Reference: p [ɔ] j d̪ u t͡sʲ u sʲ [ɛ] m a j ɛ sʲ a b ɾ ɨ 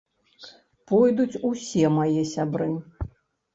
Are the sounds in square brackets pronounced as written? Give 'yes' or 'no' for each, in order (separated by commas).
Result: yes, yes